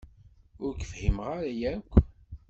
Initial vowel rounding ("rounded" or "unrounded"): rounded